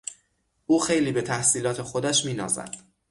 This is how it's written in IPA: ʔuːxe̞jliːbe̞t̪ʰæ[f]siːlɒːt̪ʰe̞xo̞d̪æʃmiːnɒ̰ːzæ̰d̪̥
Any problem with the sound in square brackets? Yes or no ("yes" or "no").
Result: yes